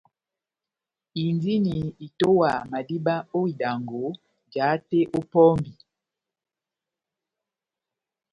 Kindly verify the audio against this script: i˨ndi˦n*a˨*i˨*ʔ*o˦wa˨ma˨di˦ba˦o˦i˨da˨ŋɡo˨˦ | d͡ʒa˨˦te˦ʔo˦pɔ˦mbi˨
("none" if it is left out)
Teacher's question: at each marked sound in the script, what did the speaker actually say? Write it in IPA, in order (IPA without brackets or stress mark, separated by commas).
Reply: i˨, t